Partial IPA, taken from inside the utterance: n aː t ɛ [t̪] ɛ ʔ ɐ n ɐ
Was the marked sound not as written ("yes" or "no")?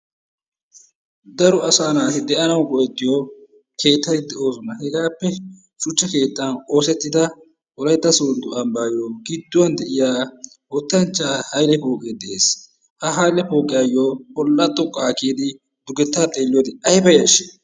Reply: yes